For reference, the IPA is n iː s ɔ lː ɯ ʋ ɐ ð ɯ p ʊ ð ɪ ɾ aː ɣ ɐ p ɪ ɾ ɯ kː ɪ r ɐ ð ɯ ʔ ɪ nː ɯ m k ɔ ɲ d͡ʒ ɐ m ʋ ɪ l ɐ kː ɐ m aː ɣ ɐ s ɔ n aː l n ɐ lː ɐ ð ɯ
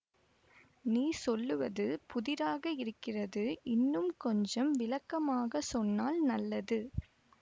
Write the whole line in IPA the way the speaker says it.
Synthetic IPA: n iː s ɔ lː ɯ ʋ ɐ ð ɯ p ʊ ð ɪ ɾ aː ɣ ɐ ɪ ɾ ɯ kː ɪ r ɐ ð ɯ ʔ ɪ nː ɯ m k ɔ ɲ d͡ʒ ɐ m ʋ ɪ l ɐ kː ɐ m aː ɣ ɐ s ɔ nː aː l n ɐ lː ɐ ð ɯ